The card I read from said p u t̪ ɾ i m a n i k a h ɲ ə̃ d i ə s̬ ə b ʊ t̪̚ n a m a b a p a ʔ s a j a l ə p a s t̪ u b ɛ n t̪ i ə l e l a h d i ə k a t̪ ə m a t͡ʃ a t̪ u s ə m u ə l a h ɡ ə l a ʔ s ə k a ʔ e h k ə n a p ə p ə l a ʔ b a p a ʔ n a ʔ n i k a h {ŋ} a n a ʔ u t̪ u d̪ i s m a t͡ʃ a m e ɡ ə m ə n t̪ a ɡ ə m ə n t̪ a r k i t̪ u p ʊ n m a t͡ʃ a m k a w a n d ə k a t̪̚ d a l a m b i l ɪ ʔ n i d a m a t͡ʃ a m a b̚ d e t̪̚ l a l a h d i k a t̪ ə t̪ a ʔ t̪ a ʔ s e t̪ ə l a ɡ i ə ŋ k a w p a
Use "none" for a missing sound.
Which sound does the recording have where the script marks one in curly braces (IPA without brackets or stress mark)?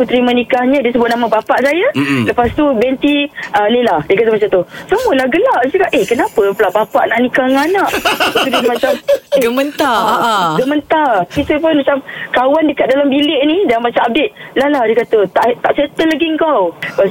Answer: ŋ